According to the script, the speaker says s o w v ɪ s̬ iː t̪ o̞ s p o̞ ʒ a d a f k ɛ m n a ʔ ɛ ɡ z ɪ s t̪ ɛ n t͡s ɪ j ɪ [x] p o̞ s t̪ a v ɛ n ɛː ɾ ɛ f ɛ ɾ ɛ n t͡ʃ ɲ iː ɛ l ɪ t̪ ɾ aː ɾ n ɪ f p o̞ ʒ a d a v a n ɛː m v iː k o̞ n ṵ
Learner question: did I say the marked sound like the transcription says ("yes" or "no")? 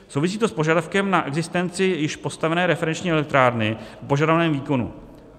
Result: no